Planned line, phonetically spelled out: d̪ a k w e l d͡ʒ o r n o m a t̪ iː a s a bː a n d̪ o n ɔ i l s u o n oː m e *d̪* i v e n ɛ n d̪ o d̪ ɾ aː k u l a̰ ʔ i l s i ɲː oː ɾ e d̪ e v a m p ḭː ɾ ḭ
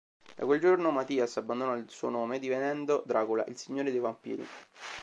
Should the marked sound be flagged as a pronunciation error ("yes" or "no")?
no